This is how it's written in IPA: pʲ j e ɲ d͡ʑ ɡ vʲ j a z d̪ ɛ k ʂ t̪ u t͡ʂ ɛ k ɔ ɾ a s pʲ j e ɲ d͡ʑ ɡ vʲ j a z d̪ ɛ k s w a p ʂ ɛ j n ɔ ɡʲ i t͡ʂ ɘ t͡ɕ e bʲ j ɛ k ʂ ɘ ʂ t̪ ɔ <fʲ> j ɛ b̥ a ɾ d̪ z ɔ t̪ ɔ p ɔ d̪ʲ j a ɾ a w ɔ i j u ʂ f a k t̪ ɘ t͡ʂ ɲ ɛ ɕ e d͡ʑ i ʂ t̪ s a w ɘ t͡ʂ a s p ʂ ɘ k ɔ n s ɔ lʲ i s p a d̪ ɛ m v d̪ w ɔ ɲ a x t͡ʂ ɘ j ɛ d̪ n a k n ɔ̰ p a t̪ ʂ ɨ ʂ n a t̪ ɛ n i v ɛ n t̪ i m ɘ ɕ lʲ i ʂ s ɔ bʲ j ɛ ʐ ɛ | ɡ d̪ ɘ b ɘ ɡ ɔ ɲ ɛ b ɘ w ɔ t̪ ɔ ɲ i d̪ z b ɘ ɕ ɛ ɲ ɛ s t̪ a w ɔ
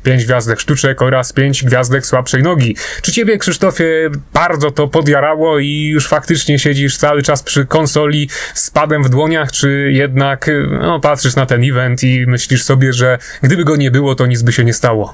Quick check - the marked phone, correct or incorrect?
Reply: correct